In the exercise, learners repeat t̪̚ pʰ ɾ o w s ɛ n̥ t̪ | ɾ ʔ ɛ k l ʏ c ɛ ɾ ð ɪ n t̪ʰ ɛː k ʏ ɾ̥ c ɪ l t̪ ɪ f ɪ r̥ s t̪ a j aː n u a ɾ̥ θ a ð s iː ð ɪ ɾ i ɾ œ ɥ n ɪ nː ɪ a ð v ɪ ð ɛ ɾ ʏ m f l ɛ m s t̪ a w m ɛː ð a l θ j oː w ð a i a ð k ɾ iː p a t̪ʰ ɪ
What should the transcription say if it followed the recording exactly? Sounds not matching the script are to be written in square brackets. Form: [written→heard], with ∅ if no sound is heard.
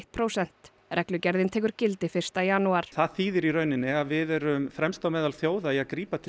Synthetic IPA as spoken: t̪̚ pʰ ɾ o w s ɛ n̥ t̪ | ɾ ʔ ɛ k l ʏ c ɛ ɾ ð ɪ n t̪ʰ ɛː k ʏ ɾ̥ c ɪ l t̪ ɪ f ɪ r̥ s t̪ a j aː n u a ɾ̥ θ a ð [s→θ] iː ð ɪ ɾ i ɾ œ ɥ n ɪ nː ɪ a ð v ɪ ð ɛ ɾ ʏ m f [l→ɾ] ɛ m s t̪ a w m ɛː ð a l θ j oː w ð a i a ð k ɾ iː p a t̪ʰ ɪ